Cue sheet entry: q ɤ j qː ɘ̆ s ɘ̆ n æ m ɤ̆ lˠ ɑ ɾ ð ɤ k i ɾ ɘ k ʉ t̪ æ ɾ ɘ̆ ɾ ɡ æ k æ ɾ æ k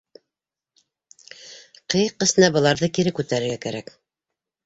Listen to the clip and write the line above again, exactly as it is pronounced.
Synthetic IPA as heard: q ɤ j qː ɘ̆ s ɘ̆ n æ b ɤ̆ lˠ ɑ ɾ ð ɤ k i ɾ ɘ k ʉ t̪ æ ɾ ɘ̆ ɾ ɡ æ k æ ɾ æ k